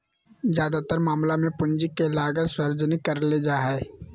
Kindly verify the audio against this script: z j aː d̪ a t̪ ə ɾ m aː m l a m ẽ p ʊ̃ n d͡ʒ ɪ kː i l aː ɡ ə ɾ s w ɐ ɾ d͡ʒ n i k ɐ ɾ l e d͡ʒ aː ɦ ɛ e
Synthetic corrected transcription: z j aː d̪ a t̪ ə ɾ m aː m l a m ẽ p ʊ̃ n d͡ʒ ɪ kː e l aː ɡ ə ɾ s w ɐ ɾ d͡ʒ n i k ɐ ɾ l e d͡ʒ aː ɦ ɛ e

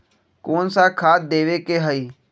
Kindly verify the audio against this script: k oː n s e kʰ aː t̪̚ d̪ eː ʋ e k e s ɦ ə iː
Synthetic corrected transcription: k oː n s a kʰ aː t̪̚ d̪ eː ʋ e k e ɦ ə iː

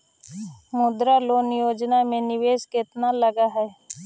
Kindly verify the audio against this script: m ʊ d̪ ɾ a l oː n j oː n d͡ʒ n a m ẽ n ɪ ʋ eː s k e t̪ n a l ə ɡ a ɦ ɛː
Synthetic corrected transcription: m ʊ d̪ ɾ a l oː n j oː d͡ʒ n a m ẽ n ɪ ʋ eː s k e t̪ n a l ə ɡ a ɦ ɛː

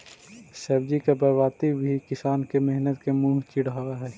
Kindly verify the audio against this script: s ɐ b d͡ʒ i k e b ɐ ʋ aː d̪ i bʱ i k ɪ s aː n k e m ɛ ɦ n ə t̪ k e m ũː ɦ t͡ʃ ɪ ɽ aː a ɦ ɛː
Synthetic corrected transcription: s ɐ b d͡ʒ i k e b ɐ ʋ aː t̪ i bʱ i k ɪ s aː n k e m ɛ ɦ n ə t̪ k e m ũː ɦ t͡ʃ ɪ ɽ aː a ɦ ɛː

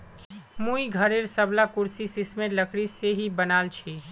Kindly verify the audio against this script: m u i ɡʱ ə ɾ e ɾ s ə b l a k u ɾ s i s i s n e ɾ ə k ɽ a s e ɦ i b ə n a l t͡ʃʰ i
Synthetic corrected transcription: m u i ɡʱ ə ɾ e ɾ s ə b l a k u ɾ s i s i s m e l ə k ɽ i s e ɦ i b ə n a l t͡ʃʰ i

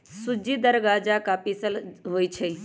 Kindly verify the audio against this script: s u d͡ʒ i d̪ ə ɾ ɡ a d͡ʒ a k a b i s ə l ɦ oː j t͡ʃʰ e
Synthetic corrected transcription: s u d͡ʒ i d̪ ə ɾ ɡ a d͡ʒ a k a p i s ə l ɦ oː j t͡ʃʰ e

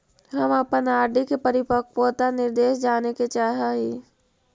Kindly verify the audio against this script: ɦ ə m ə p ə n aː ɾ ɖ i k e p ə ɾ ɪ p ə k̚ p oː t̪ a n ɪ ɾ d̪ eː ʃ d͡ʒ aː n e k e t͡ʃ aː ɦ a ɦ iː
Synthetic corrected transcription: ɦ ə m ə p ə n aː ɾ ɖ i k e p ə ɾ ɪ p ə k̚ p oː t̪ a n ɪ ɾ d̪ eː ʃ d͡ʒ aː n e k e t͡ʃ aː ɦ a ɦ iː

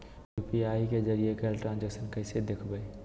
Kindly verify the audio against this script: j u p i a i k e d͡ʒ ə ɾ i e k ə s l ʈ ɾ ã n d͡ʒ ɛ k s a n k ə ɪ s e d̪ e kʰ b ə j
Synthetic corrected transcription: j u p i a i k e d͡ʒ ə ɾ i e k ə l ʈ ɾ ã n d͡ʒ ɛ k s ə n k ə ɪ s e d̪ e kʰ b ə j

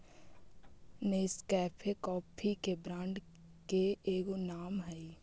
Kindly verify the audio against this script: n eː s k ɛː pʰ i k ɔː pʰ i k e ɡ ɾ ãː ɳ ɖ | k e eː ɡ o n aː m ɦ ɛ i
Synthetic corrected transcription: n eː s k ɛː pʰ e k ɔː pʰ i k e b ɾ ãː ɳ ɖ | k e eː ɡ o n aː m ɦ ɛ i

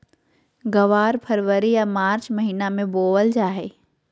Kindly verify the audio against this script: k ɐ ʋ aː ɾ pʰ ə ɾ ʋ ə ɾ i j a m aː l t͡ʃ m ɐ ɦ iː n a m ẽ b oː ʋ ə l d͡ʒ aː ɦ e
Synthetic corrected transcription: ɡ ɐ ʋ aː ɾ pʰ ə ɾ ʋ ə ɾ i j a m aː ɾ t͡ʃ m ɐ ɦ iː n a m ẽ b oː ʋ ə l d͡ʒ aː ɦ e

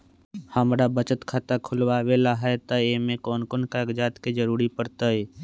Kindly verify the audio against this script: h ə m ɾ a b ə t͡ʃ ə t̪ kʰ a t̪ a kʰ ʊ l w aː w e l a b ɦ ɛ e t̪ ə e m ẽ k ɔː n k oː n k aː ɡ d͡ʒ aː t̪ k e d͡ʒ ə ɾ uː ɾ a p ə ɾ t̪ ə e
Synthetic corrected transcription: h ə m ɾ a b ə t͡ʃ ə t̪ kʰ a t̪ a kʰ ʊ l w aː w e l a ɦ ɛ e t̪ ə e m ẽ k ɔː n k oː n k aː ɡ d͡ʒ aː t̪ k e d͡ʒ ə ɾ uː ɾ i p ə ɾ t̪ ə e

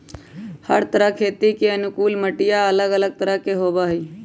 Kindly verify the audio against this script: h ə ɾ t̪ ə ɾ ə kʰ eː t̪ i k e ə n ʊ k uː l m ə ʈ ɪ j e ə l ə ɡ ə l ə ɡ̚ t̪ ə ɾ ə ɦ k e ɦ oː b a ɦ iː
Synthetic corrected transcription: h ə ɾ t̪ ə ɾ ə kʰ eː t̪ i k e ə n ʊ k uː l m ə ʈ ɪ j a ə l ə ɡ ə l ə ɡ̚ t̪ ə ɾ ə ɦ k e ɦ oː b a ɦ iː

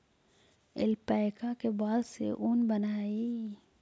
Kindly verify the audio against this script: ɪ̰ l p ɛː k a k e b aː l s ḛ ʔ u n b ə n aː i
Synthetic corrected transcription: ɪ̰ l p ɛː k a k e b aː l s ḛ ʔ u n b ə n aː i

